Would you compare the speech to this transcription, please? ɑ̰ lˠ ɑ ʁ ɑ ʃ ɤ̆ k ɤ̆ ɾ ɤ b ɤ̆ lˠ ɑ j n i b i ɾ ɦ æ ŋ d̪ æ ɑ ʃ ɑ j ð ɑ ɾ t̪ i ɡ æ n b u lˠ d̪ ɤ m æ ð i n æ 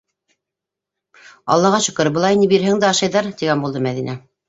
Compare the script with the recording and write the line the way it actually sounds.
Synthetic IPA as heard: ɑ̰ lˠː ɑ ʁ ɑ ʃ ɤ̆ k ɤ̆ ɾ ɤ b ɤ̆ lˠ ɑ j n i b i ɾ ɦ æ ŋ d̪ æ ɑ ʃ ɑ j ð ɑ ɾ t̪ i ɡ æ n b u lˠ d̪ ɤ m æ ð i n æ